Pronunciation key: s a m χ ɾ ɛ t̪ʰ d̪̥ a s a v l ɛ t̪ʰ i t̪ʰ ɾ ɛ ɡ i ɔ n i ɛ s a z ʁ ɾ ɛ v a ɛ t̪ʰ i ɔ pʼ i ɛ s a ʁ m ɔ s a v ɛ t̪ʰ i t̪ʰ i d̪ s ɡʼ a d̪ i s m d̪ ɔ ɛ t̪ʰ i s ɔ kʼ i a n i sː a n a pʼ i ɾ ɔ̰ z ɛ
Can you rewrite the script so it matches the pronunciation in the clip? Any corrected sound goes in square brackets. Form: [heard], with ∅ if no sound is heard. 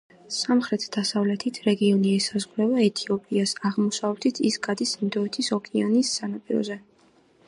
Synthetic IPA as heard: s a m χ ɾ ɛ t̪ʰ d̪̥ a s a v l ɛ t̪ʰ i t̪ʰ ɾ ɛ ɡ i ɔ n i ɛ s a z ʁ ɾ ɛ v a ɛ t̪ʰ i ɔ pʼ i [a] s a ʁ m ɔ s a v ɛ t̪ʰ i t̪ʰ i [∅] s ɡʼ a d̪ i s m d̪ ɔ ɛ t̪ʰ i s ɔ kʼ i a n i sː a n a pʼ i ɾ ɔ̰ z ɛ